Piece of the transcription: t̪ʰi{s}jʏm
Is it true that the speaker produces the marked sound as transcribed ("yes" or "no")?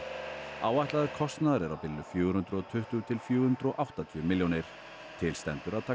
no